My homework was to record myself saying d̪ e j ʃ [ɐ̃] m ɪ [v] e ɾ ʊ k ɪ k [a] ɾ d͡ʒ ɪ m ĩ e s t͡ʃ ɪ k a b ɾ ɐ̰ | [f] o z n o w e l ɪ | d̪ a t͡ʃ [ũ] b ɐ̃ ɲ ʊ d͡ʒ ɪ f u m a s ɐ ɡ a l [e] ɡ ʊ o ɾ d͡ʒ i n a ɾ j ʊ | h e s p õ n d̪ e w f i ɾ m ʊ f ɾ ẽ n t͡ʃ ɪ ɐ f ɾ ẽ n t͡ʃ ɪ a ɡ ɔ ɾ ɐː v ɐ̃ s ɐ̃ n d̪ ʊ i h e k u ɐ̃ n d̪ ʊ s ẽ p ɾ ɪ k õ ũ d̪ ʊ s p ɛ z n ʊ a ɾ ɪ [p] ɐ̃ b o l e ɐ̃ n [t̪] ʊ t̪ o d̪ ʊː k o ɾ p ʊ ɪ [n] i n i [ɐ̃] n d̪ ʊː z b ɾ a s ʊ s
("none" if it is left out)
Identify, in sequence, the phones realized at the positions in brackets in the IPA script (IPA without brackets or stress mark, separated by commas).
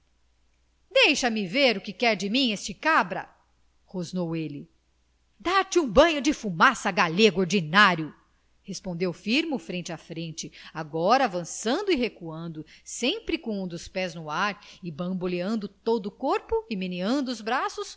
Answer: ɐ, v, ɛ, h, ũ, e, b, d̪, m, ɐ̃